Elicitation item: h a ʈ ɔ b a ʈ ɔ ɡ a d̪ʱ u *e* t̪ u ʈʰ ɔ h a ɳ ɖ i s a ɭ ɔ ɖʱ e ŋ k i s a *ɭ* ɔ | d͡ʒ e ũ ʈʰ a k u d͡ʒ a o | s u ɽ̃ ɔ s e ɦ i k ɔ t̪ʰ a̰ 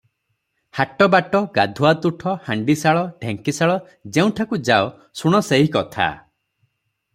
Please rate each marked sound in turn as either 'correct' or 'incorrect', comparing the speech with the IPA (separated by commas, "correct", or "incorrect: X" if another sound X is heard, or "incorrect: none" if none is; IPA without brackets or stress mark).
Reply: incorrect: a, correct